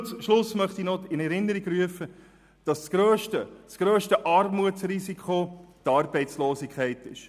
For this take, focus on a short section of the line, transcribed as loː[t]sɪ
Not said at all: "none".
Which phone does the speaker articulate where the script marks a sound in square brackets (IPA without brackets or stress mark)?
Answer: none